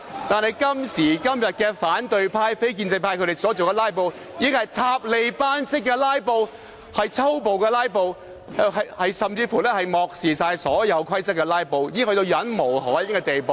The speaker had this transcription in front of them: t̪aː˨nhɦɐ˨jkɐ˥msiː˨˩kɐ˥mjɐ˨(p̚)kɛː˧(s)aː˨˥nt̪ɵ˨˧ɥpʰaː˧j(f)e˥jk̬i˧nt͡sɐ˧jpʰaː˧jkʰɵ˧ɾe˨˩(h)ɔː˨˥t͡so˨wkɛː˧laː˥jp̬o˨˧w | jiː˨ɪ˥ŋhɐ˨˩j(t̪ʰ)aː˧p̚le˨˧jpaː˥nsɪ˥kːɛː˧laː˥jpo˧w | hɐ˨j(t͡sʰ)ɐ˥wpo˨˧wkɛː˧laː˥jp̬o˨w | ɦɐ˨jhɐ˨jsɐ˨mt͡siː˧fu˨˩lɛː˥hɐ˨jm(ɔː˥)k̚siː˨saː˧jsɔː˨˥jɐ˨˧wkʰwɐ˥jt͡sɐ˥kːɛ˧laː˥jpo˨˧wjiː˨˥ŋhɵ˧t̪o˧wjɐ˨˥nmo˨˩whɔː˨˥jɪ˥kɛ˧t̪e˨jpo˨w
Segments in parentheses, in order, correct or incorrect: incorrect: t̚, incorrect: f, correct, incorrect: s, correct, correct, incorrect: ɔː˨

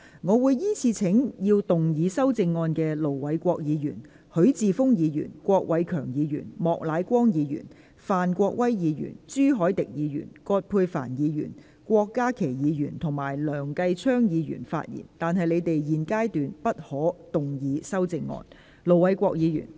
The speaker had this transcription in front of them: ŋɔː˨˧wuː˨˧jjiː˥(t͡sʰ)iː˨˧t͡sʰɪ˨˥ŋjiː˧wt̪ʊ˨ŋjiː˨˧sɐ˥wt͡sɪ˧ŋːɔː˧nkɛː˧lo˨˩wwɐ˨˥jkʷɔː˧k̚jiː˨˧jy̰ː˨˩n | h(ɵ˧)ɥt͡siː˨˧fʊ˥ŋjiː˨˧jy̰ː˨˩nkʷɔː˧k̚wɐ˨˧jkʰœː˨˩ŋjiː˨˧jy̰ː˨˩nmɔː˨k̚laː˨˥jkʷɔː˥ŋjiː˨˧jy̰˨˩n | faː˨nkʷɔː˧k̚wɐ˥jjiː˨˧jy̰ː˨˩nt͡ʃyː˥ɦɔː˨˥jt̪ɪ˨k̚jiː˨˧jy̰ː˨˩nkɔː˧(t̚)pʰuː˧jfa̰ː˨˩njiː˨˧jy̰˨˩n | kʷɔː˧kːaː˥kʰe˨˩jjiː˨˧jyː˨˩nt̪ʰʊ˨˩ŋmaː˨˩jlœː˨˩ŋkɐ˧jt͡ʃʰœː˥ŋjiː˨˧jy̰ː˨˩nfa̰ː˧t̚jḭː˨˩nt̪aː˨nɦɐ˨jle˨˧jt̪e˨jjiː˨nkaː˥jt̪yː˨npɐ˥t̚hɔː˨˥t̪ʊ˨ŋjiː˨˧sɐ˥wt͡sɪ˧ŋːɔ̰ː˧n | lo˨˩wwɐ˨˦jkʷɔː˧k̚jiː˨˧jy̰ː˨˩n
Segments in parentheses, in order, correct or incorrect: correct, incorrect: ɵ˨˥, correct

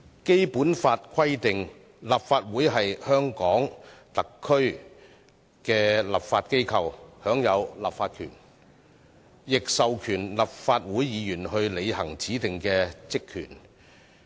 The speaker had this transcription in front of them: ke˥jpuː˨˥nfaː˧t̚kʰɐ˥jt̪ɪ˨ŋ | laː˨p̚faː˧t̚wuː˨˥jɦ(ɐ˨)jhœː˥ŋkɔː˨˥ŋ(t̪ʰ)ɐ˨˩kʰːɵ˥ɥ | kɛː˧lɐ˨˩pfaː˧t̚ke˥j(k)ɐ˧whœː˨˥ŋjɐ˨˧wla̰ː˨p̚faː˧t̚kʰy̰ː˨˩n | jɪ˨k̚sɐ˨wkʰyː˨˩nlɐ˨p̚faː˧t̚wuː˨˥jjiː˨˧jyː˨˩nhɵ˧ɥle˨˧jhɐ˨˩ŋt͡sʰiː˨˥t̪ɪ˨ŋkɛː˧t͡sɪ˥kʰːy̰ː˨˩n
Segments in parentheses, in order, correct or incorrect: correct, incorrect: t̪, incorrect: kʰ

